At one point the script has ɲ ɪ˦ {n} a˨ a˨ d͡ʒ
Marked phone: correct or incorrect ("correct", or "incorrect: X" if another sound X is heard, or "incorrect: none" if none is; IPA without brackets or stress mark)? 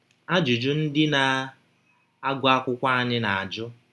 correct